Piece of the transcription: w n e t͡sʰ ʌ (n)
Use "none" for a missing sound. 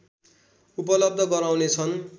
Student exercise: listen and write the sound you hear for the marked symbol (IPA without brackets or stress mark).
n